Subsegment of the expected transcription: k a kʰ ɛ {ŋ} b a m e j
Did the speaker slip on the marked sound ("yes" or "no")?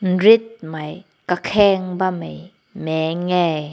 no